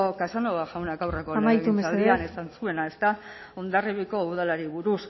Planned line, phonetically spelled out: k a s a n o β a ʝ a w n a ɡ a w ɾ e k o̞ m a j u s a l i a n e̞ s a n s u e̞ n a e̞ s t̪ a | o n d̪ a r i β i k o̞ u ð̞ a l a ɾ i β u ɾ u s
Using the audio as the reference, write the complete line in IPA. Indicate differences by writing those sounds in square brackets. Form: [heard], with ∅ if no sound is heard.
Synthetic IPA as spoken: k a s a n o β a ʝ a w n a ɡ a w [r] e k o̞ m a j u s a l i a n e̞ s a n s u e̞ n a e̞ s t̪ a | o n d̪ a r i β i k o̞ u ð̞ a l a ɾ i β u ɾ u s